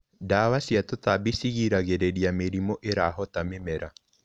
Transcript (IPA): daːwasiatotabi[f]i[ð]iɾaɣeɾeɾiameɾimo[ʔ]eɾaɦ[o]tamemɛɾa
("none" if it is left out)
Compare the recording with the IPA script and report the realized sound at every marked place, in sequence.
s, ɣ, ʔ, ɔ

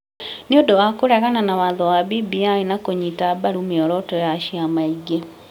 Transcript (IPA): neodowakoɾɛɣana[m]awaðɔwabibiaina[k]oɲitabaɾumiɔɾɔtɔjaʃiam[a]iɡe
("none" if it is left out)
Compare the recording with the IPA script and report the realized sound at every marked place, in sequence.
n, k, a

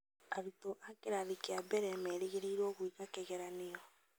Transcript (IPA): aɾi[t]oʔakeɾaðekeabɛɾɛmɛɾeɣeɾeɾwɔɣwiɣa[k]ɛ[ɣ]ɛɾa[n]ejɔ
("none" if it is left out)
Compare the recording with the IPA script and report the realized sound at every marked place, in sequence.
t, k, ɣ, n

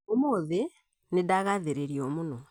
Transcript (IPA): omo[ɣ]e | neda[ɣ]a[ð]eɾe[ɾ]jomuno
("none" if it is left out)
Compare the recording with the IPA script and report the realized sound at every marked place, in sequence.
ð, ɣ, ð, ɾ

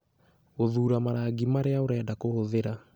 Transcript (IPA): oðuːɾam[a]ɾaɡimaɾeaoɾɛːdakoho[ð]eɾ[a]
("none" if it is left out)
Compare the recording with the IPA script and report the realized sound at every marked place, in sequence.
a, ð, a

